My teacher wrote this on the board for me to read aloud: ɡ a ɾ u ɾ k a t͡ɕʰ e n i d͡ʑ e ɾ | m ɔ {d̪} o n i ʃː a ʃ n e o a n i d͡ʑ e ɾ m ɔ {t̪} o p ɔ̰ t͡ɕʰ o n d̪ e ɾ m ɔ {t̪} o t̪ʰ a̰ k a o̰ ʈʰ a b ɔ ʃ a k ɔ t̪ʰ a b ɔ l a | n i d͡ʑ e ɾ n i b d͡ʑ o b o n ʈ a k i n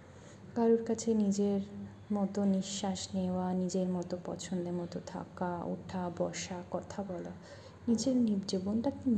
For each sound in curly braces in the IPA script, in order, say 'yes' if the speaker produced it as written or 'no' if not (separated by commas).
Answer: no, yes, yes